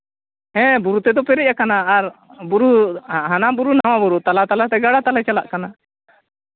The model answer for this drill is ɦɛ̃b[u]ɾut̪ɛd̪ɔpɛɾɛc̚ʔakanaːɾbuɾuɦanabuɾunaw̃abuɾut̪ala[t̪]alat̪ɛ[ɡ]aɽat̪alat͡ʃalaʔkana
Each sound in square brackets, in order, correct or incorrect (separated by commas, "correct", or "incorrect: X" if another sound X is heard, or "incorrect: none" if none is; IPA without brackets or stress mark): correct, correct, correct